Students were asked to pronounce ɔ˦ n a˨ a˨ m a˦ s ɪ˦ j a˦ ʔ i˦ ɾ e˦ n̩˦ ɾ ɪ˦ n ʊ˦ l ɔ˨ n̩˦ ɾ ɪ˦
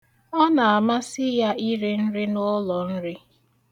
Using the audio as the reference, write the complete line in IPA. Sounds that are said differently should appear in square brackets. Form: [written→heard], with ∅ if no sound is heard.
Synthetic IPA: ɔ˦ n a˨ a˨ m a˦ s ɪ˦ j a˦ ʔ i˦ ɾ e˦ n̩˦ ɾ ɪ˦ n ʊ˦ l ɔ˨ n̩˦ ɾ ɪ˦